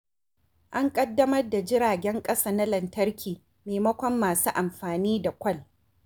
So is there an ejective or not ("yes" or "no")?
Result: yes